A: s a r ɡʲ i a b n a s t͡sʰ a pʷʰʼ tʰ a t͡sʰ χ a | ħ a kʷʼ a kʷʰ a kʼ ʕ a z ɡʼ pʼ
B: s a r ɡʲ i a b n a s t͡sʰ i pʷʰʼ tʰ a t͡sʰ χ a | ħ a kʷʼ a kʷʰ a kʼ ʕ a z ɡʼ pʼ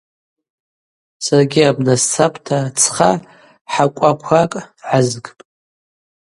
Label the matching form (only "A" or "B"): A